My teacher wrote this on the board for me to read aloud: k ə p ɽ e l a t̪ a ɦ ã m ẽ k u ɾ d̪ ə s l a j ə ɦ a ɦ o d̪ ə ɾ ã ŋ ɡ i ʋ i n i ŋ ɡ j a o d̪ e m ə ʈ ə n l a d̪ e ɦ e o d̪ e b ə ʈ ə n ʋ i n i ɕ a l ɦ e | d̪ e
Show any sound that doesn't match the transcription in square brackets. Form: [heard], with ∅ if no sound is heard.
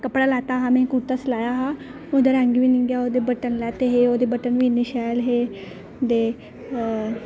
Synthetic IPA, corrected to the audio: k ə p ɽ [a] l a t̪ a ɦ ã m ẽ k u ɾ [t̪] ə s l a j [a] ɦ a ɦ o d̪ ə ɾ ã ŋ ɡ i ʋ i n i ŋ ɡ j a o d̪ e [b] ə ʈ ə n l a [t̪] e ɦ e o d̪ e b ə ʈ ə n ʋ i n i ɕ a l ɦ e | d̪ e